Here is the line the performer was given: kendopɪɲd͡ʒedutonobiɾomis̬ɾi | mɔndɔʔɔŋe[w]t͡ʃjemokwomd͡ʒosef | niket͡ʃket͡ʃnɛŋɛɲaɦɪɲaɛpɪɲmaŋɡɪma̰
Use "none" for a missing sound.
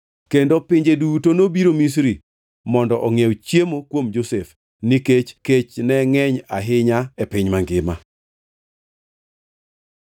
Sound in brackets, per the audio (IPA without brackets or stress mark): w